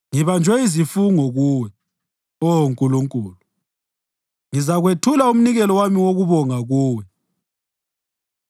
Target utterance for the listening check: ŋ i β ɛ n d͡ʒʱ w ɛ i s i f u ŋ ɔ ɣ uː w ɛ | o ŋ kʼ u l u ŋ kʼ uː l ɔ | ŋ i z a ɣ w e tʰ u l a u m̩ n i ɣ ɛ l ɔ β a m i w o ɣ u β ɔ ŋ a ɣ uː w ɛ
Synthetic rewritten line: ŋ i β a n d͡ʒʱ w ɛ i z i f u ŋ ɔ ɣ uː w ɛ | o ŋ kʼ u l u ŋ kʼ uː l u | ŋ i z a ɣ w e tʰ u l a u m̩ n i ɣ ɛ l ɔ w a m i w o ɣ u β ɔ ŋ a ɣ uː w ɛ